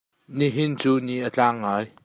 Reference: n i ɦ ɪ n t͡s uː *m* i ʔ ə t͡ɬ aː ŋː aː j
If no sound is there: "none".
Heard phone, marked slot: n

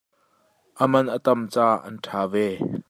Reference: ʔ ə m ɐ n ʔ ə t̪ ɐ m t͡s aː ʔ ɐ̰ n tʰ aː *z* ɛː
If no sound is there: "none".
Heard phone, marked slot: v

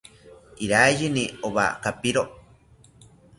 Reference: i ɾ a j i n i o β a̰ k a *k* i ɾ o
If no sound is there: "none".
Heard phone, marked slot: p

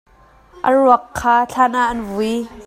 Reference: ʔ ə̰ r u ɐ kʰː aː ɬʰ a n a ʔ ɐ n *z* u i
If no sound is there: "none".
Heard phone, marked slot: v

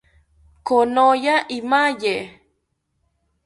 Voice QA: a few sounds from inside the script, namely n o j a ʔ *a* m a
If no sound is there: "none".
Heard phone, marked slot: i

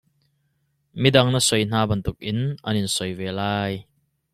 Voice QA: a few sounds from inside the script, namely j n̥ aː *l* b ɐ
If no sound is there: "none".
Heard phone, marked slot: none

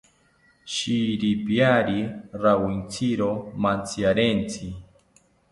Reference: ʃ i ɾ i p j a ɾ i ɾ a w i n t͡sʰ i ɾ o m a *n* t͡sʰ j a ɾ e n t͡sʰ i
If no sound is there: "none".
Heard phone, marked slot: n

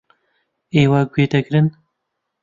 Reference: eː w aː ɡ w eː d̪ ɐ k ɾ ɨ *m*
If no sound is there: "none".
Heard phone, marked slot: n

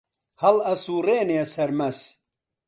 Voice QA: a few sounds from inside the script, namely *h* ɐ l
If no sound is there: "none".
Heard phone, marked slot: h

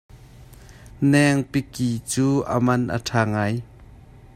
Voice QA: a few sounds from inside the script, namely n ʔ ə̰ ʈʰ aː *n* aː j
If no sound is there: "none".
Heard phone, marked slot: ŋ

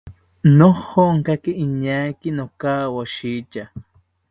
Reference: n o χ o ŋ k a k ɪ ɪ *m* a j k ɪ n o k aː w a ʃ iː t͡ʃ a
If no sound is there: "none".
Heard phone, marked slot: ɲ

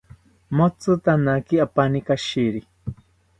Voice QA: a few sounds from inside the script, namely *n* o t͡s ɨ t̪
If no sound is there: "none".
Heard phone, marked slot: m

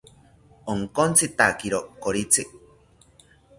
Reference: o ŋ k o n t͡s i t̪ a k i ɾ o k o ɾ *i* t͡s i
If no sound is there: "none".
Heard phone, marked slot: i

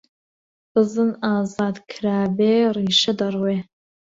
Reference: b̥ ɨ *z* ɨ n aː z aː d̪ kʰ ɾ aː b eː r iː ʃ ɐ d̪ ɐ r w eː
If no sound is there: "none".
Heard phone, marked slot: z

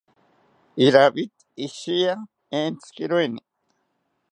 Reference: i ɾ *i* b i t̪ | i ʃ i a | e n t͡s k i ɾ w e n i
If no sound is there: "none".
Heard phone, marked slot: a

